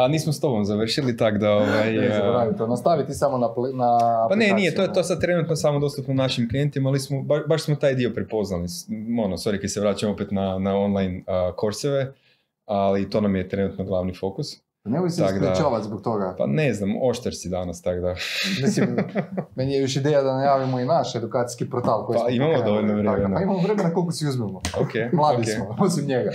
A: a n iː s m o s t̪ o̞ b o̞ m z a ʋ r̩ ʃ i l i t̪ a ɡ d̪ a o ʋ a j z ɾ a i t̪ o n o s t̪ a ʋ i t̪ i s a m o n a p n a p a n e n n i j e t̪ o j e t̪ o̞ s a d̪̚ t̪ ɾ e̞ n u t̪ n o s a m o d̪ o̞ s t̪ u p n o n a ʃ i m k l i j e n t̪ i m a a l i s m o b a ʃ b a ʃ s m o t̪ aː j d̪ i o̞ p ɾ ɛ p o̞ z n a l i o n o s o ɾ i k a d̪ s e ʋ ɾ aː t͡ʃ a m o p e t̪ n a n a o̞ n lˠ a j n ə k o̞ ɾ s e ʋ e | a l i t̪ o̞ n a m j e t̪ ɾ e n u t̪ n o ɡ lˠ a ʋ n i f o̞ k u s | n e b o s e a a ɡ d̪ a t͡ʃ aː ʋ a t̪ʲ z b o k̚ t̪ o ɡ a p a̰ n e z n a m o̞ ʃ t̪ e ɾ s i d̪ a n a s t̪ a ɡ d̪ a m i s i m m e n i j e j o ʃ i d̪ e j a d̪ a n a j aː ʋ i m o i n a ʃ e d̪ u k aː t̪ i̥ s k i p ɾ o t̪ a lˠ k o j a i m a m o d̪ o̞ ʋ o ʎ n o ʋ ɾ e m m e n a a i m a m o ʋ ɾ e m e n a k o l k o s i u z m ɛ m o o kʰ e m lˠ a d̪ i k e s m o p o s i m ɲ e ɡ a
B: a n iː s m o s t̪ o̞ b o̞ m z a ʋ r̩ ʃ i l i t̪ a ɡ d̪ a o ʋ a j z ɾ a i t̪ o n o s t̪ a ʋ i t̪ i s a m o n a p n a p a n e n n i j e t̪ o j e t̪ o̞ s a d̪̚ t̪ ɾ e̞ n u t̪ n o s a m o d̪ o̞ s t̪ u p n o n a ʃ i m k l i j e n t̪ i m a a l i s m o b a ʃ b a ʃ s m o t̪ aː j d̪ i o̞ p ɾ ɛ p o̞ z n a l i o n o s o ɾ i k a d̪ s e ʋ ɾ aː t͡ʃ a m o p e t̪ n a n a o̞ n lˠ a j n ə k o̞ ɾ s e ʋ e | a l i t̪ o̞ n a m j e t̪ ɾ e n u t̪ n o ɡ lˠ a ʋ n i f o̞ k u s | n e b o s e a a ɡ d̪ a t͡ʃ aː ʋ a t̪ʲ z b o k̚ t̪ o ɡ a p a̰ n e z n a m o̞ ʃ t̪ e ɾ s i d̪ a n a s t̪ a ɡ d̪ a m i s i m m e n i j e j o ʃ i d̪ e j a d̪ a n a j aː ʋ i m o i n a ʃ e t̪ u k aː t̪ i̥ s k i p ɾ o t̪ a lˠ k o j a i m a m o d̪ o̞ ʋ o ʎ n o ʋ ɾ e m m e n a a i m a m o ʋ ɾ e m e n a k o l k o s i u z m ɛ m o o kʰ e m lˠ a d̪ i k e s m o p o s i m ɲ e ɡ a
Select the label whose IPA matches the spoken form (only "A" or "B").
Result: A